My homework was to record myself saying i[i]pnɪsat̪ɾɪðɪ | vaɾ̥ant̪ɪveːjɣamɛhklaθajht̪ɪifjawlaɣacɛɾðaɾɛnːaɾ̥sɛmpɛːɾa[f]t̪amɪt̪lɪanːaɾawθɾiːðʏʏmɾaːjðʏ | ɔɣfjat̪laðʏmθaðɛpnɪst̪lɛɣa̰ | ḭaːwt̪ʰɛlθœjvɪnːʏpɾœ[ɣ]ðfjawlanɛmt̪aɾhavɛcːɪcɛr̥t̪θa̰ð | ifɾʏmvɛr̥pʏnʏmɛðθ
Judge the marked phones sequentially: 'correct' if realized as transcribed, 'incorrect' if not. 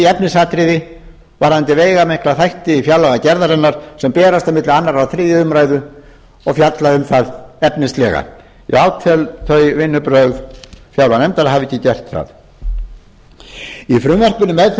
incorrect: ɛ, incorrect: s, correct

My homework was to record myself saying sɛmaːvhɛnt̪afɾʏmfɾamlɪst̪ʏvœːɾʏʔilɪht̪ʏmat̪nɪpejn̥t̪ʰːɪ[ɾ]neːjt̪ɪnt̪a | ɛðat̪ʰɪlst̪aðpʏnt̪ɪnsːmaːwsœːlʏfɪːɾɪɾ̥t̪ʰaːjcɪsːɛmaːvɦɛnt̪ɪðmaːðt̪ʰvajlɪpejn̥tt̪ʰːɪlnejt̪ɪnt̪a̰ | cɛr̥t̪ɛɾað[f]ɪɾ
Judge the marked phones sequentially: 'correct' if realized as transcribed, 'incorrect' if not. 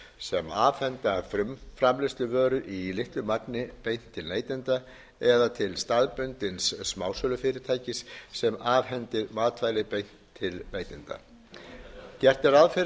incorrect: l, correct

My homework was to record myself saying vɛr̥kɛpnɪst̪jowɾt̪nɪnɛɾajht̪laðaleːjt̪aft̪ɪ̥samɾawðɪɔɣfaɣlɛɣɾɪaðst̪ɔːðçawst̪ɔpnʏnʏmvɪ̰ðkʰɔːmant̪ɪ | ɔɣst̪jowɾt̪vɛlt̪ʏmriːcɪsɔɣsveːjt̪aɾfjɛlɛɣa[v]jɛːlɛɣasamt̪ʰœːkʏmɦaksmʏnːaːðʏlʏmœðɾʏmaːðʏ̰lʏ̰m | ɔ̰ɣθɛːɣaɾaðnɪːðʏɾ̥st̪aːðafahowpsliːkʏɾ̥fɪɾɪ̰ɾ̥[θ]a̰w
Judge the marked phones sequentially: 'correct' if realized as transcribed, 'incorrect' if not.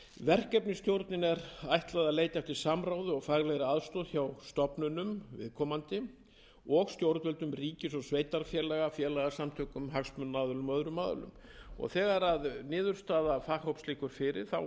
incorrect: f, correct

